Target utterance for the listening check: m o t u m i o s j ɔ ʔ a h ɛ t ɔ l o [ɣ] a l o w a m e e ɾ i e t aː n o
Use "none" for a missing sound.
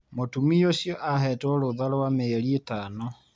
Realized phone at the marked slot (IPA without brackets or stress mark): ð